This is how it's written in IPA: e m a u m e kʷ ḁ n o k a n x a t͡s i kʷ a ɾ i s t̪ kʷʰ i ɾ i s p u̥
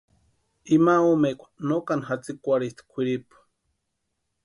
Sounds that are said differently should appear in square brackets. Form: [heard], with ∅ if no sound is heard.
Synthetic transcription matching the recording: [i] m a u m e kʷ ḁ n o k a n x a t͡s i kʷ a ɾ i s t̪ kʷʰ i ɾ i [∅] p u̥